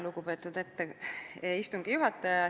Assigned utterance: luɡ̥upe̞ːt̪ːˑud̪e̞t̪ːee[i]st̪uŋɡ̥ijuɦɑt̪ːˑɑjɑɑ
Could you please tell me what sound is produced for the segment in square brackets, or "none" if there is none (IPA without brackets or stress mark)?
i